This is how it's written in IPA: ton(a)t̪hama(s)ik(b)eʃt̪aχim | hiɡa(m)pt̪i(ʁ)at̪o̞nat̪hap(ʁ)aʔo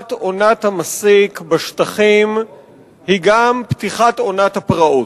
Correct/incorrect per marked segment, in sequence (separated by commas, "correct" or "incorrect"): correct, correct, correct, correct, incorrect, correct